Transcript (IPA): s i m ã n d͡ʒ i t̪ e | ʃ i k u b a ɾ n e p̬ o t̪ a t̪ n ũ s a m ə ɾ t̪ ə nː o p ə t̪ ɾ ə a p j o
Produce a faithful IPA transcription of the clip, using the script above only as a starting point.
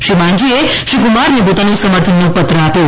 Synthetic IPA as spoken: ʃ i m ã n d͡ʒ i e | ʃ i k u m a ɾ n e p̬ o t̪ a n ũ s ə m ə ɾ t̪ʰ ə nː o p ə t̪ ɾ ə a p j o

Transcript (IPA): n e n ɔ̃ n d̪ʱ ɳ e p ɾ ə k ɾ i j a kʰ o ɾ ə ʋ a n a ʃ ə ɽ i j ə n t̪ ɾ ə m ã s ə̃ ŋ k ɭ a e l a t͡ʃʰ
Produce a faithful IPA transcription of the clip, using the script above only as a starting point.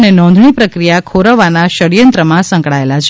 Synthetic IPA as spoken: n e n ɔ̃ n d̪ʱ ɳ i p ɾ ə k ɾ i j a kʰ o ɾ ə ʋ a n a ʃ ə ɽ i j ə n t̪ ɾ ə m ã s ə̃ ŋ k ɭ a e l a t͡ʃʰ

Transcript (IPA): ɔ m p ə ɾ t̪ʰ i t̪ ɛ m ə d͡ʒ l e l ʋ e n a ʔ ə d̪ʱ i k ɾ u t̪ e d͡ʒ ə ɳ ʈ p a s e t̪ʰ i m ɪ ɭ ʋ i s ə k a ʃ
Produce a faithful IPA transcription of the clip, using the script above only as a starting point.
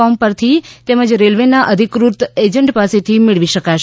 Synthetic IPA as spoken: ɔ m p ə ɾ t̪ʰ i t̪ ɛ m ə d͡ʒ ɾ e l ʋ e n a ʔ ə d̪ʱ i k ɾ u t̪ e d͡ʒ ə ɳ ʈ p a s e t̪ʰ i m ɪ ɭ ʋ i ʃ ə k a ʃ

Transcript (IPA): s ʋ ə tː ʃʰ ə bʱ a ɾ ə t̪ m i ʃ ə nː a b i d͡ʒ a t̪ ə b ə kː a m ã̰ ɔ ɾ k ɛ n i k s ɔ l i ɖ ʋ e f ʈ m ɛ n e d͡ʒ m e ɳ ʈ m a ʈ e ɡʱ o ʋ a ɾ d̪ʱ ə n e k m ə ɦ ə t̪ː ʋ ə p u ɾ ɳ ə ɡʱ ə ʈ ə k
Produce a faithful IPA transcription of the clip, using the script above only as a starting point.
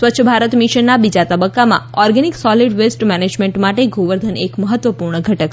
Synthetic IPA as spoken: s ʋ ə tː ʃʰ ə bʱ a ɾ ə t̪ m i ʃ ə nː a b i d͡ʒ a t̪ ə b ə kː a m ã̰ ɔ ɾ ɡ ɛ n i k s ɔ l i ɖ ʋ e s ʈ m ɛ n e d͡ʒ m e ɳ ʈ m a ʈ e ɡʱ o ʋ ə ɾ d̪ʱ ə n e k m ə ɦ ə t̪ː ʋ ə p u ɾ ɳ ə ɡʱ ə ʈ ə k

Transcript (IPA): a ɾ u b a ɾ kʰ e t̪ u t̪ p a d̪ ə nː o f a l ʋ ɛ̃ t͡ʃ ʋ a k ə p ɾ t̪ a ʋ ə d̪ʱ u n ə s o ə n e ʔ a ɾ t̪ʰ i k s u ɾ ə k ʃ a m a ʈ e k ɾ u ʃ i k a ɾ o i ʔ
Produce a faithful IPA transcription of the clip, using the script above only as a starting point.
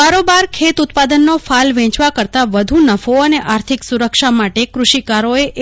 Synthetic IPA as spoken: a ɾ o b a ɾ kʰ e t̪ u t̪ p a d̪ ə nː o f a l ʋ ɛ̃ t͡ʃ ʋ a k ə ɾ t̪ a ʋ ə d̪ʱ u n ə f o ə n e ʔ a ɾ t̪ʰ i k s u ɾ ə k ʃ a m a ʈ e k ɾ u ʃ i k a ɾ o e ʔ

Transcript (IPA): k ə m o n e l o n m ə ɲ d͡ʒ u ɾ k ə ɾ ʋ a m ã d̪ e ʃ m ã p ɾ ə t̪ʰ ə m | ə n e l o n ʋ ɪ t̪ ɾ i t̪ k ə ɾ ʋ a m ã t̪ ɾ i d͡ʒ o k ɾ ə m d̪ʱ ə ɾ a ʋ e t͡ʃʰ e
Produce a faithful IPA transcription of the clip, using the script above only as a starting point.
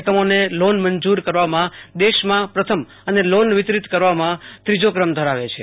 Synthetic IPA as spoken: k ə m o n e l o n m ə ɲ d͡ʒ u ɾ k ə ɾ ʋ a m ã d̪ e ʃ m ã p ɾ ə t̪ʰ ə m | ə n e l o n ʋ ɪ t̪ ɾ i t̪ k ə ɾ ʋ a m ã t̪ ɾ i d͡ʒ o k ɾ ə m d̪ʱ ə ɾ a ʋ e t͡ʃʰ e

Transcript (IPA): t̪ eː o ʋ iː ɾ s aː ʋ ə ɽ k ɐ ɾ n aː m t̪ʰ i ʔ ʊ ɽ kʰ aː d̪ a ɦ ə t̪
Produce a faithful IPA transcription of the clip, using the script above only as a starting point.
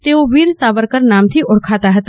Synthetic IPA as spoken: t̪ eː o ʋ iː ɾ s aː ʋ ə ɾ k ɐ ɾ n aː m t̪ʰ i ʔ ʊ ɽ kʰ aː t̪ a ɦ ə t̪

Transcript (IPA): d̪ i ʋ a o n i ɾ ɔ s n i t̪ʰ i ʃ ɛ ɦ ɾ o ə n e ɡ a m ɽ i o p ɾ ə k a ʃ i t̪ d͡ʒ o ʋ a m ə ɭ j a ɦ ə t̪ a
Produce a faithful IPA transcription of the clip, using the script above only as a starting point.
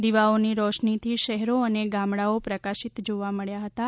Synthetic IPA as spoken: d̪ i ʋ a o n i ɾ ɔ ʃ n i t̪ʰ i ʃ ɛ ɦ ɾ o ə n e ɡ a m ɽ a o p ɾ ə k a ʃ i t̪ d͡ʒ o ʋ a m ə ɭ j a ɦ ə t̪ a

